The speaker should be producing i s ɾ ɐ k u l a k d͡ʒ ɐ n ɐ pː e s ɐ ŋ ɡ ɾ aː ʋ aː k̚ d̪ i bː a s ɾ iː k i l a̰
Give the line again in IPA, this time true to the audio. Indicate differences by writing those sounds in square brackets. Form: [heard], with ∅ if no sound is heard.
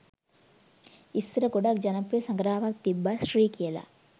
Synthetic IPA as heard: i s ɾ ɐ k u [ɽ] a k d͡ʒ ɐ n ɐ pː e s ɐ ŋ ɡ ɾ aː ʋ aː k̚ [t̪] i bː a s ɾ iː k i l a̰